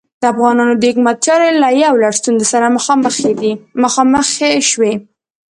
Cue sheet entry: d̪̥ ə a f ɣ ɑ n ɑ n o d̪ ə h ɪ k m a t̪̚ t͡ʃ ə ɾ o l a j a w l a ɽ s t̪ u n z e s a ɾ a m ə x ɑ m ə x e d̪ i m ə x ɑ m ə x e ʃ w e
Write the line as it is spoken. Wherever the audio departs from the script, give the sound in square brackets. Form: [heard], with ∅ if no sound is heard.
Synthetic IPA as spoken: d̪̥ ə a f ɣ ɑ n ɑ n o d̪ ə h ɪ k m a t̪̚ t͡ʃ [ɑ] ɾ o l a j a w l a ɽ s t̪ u n z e s a ɾ a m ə x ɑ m ə x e d̪ i m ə x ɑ m ə x e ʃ w e